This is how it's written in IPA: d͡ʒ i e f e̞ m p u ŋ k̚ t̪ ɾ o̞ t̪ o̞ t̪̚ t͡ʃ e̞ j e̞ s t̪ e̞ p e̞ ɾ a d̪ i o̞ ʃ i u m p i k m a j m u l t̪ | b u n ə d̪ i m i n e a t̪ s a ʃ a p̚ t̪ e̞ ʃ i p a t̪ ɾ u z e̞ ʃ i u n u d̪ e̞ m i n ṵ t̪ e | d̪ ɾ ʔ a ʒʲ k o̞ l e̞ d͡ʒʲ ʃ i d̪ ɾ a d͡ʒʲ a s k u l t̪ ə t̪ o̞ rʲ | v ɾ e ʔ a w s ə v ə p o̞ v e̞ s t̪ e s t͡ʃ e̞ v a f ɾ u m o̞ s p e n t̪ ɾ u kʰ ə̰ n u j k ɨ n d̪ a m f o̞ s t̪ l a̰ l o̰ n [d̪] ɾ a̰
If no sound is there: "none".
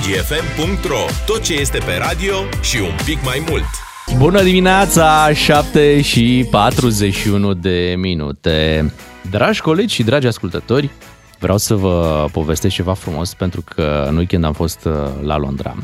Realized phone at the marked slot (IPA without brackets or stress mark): d̪